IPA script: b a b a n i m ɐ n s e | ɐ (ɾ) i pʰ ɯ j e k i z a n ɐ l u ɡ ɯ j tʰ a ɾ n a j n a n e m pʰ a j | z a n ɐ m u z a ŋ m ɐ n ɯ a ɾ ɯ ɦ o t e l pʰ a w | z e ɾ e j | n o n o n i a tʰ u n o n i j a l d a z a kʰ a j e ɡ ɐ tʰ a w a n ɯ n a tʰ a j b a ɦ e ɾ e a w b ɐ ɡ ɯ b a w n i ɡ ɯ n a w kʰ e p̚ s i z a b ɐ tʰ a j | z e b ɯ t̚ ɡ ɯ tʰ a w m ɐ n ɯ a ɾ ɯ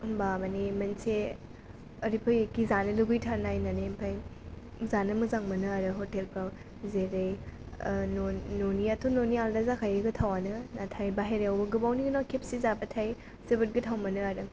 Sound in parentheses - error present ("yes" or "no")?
no